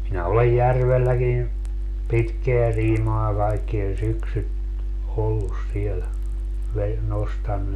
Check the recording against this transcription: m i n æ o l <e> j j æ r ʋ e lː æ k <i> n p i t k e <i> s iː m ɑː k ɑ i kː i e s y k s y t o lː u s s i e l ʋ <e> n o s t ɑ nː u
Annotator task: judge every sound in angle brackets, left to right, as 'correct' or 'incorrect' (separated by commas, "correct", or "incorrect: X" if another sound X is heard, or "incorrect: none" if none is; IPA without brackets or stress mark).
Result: correct, correct, incorrect: æ, correct